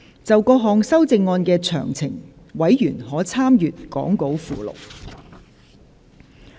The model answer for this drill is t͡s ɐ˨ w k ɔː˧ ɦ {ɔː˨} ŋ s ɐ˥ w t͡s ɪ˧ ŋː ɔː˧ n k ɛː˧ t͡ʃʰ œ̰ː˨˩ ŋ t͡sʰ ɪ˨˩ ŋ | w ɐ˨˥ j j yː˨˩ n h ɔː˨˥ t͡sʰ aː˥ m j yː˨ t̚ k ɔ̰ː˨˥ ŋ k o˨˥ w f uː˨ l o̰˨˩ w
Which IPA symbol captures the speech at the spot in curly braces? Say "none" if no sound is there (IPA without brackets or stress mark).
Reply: ɔː˨